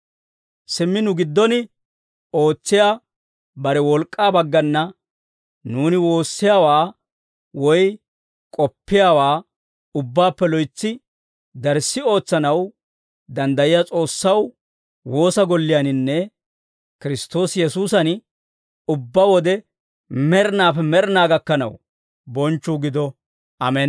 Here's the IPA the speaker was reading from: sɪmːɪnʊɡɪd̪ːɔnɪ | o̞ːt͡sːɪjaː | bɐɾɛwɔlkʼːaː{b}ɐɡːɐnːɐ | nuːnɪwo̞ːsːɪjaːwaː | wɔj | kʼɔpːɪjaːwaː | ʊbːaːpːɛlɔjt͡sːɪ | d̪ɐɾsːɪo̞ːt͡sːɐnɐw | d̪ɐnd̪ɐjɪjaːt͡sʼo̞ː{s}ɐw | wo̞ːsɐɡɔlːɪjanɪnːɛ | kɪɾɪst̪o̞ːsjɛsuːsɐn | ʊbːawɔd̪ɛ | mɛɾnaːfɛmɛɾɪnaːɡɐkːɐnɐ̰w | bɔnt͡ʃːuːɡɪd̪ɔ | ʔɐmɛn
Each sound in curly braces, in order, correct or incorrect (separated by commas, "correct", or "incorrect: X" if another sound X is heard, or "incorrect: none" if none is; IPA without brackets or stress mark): correct, incorrect: sː